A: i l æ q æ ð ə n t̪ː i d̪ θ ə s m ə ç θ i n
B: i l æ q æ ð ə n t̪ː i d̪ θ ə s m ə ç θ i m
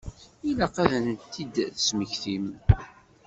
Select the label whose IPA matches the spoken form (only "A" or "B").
B